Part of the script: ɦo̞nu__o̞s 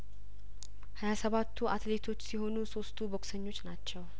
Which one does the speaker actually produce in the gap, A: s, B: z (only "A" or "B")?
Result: A